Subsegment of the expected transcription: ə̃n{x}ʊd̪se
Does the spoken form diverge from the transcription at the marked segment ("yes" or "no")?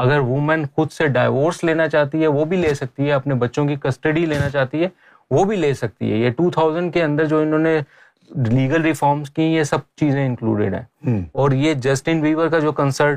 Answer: no